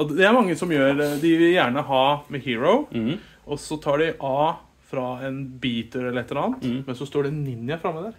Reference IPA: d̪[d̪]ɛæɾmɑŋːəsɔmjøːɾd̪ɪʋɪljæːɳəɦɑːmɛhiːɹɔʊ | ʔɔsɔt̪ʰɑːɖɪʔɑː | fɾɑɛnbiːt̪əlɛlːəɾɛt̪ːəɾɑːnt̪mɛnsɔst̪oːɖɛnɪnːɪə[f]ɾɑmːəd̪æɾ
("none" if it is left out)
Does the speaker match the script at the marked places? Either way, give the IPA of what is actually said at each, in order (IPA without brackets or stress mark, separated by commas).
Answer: d̪, f